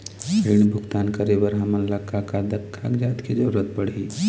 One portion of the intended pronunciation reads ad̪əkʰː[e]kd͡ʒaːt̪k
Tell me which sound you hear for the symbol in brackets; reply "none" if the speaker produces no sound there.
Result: a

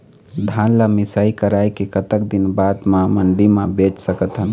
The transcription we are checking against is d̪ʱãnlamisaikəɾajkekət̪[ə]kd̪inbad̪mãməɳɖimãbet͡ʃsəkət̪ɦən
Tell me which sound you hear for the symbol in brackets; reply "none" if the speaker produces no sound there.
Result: ə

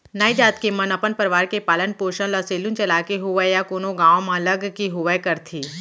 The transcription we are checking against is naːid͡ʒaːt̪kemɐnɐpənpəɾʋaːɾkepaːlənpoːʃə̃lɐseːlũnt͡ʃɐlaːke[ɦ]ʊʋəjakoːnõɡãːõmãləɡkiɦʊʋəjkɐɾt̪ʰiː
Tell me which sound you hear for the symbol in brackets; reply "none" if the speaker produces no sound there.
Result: ɦ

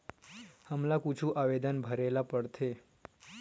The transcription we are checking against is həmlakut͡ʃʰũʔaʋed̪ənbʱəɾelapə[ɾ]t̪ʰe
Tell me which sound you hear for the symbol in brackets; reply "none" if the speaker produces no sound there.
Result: ɽ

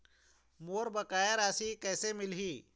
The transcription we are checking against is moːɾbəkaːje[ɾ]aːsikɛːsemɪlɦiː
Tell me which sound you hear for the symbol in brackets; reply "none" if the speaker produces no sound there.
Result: ɾ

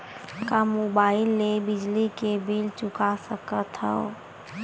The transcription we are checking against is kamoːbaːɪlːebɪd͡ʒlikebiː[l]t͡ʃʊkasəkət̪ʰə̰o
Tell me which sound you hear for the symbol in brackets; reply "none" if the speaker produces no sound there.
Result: l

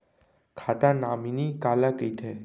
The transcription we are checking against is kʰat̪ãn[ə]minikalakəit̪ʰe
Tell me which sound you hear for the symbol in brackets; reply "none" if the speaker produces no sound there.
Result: a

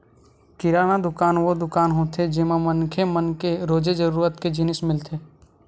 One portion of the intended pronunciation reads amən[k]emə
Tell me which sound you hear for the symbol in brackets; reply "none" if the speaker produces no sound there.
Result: kʰ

